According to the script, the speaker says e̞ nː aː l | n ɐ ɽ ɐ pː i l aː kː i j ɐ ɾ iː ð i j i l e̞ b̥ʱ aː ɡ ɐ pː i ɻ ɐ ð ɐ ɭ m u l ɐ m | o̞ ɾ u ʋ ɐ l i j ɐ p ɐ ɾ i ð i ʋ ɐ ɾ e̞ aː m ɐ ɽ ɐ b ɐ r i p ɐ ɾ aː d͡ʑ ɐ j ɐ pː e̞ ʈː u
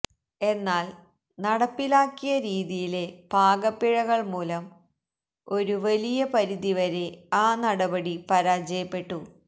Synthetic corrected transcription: e̞ nː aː l | n ɐ ɽ ɐ pː i l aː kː i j ɐ ɾ iː ð i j i l e̞ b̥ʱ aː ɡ ɐ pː i ɻ ɐ ɣ ɐ ɭ m uː l ɐ m | o̞ ɾ u ʋ ɐ l i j ɐ p ɐ ɾ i ð i ʋ ɐ ɾ e̞ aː n ɐ ɽ ɐ b ɐ ɽ i p ɐ ɾ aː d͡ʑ ɐ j ɐ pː e̞ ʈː u